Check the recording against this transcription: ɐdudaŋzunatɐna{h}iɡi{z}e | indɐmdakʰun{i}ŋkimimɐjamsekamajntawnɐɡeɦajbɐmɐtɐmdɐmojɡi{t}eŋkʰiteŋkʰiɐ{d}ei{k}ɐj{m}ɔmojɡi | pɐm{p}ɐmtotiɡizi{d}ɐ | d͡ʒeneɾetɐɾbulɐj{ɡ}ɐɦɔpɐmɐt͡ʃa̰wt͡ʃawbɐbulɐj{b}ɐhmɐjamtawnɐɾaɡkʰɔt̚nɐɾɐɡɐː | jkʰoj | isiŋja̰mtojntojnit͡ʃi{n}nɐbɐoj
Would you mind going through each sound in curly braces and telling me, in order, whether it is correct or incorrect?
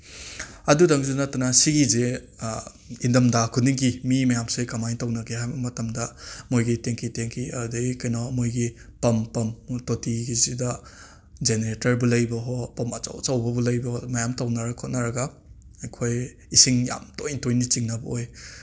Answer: incorrect, correct, correct, correct, correct, correct, incorrect, correct, correct, incorrect, correct, incorrect

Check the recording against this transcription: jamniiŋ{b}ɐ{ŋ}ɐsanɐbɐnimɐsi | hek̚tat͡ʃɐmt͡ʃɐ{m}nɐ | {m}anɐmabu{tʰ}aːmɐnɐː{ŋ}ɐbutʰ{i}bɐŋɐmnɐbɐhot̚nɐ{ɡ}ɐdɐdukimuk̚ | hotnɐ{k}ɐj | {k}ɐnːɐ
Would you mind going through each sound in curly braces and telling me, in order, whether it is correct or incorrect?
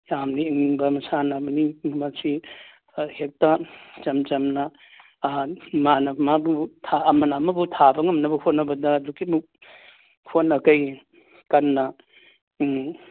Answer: correct, incorrect, correct, correct, correct, incorrect, incorrect, incorrect, correct, correct

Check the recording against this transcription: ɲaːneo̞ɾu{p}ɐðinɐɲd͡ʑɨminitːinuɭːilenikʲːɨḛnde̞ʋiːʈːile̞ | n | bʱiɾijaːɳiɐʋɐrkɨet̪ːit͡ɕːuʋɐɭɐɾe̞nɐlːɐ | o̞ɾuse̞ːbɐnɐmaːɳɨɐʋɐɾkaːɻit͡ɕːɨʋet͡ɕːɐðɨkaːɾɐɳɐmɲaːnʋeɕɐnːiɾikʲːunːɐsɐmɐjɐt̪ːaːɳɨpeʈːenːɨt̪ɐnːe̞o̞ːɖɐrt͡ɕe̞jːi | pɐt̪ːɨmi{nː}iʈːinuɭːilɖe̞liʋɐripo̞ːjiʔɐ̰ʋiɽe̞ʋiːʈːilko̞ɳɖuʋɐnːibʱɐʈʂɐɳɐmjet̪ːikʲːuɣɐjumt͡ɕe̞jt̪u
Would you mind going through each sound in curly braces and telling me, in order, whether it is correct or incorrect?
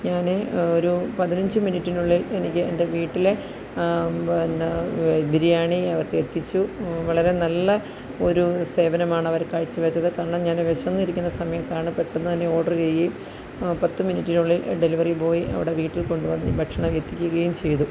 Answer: correct, incorrect

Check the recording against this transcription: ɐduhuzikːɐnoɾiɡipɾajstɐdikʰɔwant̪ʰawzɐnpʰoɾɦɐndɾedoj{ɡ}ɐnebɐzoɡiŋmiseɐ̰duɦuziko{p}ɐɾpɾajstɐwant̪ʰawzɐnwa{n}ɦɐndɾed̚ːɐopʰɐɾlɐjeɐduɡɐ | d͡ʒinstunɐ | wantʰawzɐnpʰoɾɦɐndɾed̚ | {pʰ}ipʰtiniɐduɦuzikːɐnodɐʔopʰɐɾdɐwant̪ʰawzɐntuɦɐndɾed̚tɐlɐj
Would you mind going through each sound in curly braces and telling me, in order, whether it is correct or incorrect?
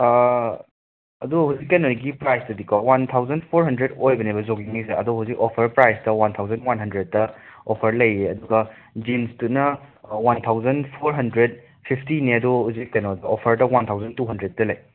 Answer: incorrect, incorrect, correct, correct

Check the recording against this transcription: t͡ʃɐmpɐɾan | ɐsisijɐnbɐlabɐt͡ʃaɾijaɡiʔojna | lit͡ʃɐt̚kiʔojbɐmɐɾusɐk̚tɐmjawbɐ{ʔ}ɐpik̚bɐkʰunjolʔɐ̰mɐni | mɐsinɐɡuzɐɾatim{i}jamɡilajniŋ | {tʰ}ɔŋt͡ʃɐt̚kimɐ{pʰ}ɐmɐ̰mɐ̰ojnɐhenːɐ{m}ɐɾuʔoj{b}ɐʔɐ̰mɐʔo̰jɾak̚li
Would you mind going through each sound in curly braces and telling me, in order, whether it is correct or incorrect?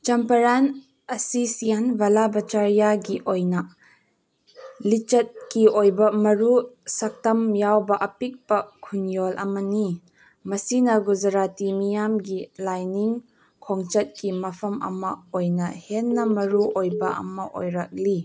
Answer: correct, correct, incorrect, correct, correct, correct

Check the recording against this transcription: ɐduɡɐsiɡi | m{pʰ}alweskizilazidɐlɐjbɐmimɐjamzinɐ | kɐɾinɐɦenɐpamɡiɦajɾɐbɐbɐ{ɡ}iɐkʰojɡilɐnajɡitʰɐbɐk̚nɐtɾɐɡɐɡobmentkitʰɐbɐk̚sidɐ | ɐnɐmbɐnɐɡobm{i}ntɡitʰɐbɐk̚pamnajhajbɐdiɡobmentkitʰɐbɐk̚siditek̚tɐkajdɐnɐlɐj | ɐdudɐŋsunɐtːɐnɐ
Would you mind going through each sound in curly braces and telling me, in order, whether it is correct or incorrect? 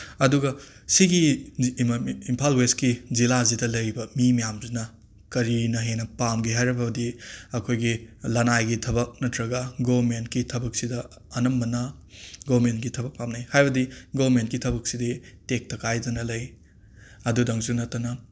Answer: correct, incorrect, incorrect

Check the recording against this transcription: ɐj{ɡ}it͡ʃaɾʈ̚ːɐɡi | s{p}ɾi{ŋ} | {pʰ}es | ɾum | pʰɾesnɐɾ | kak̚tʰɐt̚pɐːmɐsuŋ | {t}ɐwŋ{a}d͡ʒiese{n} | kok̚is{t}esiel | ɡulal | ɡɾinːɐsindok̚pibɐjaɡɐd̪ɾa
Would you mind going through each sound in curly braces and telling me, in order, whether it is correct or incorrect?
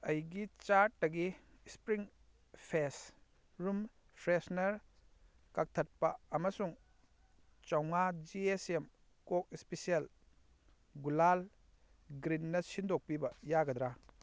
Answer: correct, correct, correct, correct, incorrect, correct, incorrect, incorrect

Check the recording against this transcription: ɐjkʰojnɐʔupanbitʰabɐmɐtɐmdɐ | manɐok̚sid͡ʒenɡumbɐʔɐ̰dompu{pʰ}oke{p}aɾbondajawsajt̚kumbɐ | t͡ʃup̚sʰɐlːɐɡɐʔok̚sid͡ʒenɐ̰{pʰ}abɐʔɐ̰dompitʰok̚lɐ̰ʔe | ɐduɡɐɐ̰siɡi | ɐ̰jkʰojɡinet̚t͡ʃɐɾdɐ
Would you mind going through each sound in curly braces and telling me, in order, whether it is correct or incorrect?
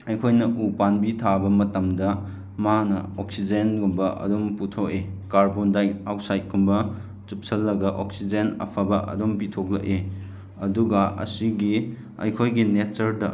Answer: incorrect, incorrect, correct

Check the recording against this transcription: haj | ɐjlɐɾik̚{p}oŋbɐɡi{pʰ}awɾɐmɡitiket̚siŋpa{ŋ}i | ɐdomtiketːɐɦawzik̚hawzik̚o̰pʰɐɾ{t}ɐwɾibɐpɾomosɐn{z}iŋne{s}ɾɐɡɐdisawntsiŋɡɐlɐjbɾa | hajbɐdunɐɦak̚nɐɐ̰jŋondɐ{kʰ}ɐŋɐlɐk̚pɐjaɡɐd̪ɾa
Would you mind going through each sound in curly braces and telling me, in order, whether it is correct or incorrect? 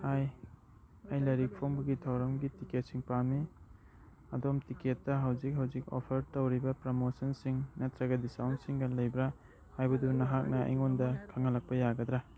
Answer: incorrect, incorrect, incorrect, correct, incorrect, incorrect, correct

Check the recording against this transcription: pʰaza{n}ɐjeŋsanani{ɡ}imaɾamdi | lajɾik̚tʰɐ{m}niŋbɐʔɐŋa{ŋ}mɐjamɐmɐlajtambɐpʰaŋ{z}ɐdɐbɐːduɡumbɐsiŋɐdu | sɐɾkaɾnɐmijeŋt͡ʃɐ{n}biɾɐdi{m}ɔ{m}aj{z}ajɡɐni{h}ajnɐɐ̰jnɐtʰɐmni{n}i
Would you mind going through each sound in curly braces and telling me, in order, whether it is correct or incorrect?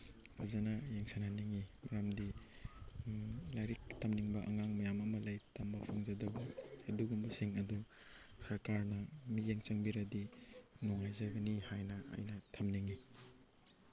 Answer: correct, incorrect, correct, correct, correct, incorrect, incorrect, incorrect, correct, correct, incorrect

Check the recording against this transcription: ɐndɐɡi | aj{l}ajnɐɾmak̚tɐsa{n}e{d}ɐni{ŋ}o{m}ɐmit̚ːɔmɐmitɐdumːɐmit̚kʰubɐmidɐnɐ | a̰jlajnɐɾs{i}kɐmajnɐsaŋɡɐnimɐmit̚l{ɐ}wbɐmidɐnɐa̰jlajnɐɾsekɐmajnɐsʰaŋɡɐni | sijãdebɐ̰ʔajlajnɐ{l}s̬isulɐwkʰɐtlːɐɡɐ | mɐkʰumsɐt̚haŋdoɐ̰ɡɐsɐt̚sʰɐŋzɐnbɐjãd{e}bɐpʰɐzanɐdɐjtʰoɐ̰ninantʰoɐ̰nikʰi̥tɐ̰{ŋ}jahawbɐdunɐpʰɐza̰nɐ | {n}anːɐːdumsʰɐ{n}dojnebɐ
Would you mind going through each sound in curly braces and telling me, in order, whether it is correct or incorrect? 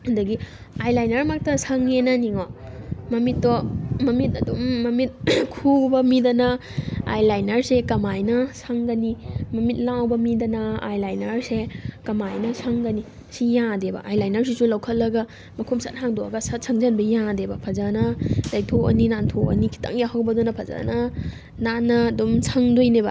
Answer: correct, incorrect, incorrect, correct, correct, incorrect, incorrect, incorrect, correct, correct, correct, incorrect

